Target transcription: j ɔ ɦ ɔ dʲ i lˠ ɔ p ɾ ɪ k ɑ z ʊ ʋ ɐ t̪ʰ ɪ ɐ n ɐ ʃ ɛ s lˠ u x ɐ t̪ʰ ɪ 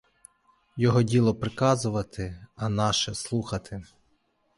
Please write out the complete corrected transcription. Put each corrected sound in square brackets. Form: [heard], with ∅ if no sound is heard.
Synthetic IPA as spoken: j ɔ ɦ ɔ dʲ i lˠ ɔ p ɾ ɪ k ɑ z ʊ ʋ ɐ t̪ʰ ɪ ɐ n [ɑ] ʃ ɛ s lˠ u x ɐ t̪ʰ ɪ